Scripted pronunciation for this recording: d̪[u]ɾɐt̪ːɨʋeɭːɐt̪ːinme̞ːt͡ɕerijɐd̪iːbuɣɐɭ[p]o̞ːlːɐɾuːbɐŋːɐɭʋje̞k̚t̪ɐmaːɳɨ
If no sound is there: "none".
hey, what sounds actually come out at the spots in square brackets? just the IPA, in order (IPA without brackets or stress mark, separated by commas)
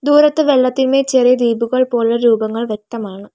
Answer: uː, p